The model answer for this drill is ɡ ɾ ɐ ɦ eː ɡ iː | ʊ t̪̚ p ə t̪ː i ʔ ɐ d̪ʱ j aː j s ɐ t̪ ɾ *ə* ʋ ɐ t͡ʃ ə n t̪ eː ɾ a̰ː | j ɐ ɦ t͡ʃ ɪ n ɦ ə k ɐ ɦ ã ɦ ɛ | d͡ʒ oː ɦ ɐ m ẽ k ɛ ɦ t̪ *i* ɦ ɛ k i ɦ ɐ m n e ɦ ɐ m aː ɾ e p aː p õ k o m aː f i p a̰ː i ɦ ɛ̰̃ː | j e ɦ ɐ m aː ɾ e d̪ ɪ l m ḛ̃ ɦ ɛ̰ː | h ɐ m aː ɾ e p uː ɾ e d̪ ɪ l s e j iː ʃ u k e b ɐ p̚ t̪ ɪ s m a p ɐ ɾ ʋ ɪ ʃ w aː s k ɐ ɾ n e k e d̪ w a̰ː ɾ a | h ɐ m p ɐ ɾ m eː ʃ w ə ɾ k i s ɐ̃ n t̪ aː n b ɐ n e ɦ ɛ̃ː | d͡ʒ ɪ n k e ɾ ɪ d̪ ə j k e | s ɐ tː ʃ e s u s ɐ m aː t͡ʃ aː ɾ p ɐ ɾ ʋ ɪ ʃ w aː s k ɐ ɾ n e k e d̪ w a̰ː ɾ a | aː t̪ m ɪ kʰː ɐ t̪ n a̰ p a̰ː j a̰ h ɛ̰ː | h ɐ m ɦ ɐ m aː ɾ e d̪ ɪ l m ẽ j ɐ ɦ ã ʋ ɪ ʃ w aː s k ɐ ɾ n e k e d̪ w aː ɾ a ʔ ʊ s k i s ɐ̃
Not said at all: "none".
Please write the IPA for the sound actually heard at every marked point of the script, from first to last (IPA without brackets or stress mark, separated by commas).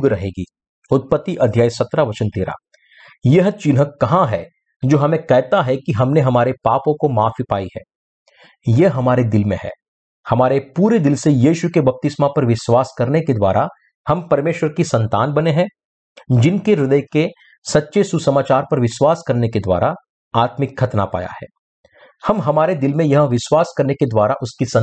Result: a, a